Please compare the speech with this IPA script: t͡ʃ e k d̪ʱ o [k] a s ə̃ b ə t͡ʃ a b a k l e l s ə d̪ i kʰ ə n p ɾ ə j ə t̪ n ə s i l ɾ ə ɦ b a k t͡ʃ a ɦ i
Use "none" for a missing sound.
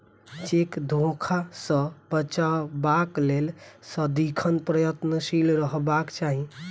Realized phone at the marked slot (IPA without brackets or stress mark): kʰ